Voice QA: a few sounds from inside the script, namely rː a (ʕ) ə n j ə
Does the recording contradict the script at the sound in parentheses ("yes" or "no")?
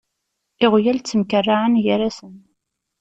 no